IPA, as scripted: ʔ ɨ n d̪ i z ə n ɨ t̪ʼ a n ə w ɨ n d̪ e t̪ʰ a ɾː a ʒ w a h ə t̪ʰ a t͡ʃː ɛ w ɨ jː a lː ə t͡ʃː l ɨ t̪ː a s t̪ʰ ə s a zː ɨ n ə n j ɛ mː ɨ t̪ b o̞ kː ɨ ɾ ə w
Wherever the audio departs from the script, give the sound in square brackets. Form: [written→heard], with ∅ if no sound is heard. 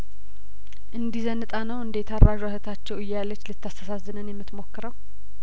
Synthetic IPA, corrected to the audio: ʔ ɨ n d̪ i z ə n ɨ t̪ʼ a n ə w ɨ n d̪ e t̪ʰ a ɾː a ʒ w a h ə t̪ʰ a t͡ʃː ɛ w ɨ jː a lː ə t͡ʃː l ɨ t̪ː a s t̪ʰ ə s a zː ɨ n ə n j ɛ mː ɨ t̪ [b→m] o̞ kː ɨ ɾ ə w